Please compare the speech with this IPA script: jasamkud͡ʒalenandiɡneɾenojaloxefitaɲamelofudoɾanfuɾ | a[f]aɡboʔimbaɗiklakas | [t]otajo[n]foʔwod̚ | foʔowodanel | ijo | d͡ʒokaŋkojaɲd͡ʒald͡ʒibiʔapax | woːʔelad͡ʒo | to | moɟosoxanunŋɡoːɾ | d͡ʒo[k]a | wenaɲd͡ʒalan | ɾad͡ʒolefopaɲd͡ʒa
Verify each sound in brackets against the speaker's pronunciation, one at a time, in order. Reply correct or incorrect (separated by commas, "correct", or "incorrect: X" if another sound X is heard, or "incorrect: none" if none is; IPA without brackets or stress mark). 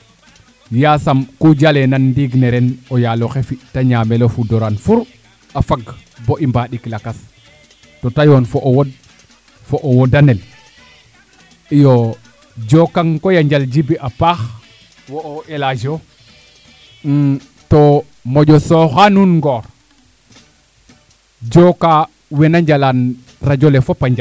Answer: correct, correct, correct, correct